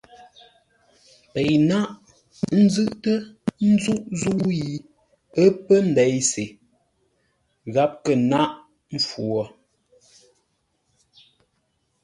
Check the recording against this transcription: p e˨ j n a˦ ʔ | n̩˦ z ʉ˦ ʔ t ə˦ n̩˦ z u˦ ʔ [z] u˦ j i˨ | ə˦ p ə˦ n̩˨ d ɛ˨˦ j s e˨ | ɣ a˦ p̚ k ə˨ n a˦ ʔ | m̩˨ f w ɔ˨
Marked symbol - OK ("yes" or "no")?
yes